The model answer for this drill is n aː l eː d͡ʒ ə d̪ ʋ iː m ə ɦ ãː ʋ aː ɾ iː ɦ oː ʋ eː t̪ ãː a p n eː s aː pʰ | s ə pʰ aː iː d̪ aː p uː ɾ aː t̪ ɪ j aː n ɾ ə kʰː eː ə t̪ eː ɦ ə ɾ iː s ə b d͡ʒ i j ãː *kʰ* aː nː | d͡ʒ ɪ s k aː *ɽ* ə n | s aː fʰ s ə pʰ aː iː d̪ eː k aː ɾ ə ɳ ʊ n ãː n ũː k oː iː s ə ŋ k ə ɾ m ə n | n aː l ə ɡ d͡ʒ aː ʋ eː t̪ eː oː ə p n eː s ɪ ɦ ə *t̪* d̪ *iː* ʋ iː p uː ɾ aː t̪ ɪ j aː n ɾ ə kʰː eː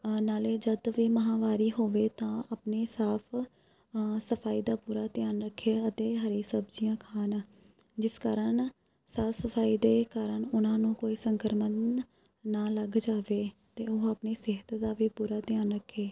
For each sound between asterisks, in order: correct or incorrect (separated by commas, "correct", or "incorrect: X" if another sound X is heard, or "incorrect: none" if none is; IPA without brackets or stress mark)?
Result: correct, incorrect: ɾ, correct, incorrect: aː